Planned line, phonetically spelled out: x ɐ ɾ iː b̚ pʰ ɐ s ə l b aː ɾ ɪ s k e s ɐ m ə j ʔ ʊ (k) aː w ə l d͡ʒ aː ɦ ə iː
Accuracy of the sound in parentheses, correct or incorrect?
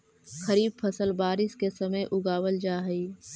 incorrect